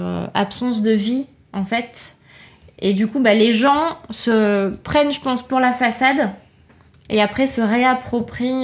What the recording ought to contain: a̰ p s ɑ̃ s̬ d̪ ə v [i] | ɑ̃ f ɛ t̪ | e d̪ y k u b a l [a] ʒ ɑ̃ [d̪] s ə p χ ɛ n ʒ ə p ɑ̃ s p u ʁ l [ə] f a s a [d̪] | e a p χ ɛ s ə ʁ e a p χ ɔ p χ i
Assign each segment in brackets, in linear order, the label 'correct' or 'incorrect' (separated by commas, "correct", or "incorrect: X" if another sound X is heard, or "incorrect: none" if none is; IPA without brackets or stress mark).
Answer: correct, incorrect: e, incorrect: none, incorrect: a, correct